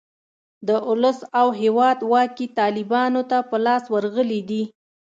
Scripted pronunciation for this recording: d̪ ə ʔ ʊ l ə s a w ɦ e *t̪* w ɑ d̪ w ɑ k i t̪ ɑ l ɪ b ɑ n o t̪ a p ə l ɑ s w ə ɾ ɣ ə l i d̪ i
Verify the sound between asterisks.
incorrect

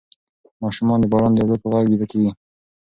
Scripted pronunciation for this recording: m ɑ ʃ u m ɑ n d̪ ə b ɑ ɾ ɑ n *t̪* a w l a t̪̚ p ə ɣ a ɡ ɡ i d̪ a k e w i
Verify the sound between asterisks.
incorrect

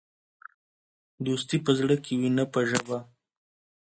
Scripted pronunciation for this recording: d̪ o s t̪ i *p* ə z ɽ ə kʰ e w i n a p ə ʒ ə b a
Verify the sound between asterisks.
correct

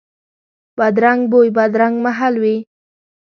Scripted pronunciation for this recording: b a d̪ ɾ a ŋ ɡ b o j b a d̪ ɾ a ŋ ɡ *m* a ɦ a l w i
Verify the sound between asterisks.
correct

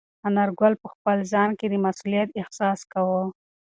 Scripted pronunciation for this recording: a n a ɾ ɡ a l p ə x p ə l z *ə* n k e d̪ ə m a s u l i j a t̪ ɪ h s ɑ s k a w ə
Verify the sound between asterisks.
incorrect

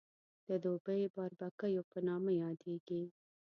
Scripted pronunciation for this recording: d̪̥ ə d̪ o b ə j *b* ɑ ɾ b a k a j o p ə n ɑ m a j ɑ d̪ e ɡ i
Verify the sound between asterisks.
correct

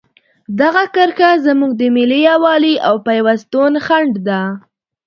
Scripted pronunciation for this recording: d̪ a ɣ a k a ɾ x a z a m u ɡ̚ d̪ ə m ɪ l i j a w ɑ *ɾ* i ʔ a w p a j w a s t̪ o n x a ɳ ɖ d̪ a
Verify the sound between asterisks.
incorrect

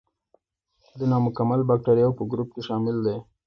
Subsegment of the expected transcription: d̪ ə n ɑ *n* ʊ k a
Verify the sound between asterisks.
incorrect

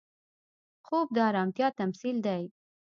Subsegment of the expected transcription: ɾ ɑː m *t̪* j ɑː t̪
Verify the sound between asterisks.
correct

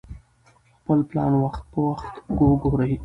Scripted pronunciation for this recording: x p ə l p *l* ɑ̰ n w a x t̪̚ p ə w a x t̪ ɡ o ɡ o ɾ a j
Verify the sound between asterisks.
correct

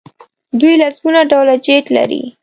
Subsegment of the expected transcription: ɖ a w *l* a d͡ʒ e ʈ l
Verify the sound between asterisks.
correct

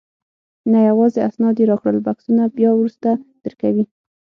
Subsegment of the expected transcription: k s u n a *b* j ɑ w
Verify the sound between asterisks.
correct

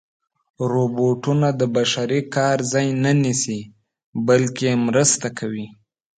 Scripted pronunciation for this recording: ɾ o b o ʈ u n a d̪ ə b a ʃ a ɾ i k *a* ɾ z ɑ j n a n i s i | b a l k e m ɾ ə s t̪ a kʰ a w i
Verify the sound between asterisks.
incorrect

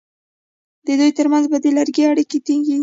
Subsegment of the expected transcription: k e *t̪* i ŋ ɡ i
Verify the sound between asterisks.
correct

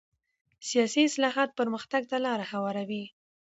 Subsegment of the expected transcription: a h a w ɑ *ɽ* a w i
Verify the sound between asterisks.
incorrect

